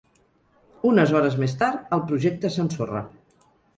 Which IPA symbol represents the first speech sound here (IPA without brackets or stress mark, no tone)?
u